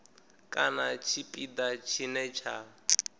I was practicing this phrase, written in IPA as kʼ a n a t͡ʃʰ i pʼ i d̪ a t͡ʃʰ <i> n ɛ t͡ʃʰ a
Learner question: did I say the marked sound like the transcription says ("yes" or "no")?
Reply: yes